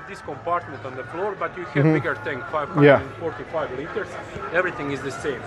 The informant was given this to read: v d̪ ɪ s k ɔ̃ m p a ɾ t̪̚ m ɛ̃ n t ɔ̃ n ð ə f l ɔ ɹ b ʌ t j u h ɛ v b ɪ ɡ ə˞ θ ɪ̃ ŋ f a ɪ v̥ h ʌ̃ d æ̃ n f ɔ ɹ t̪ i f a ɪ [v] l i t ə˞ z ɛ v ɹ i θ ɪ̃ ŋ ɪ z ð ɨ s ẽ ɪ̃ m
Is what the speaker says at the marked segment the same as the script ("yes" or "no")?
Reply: yes